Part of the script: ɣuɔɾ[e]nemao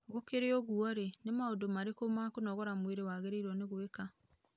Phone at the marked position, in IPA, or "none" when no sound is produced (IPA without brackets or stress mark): e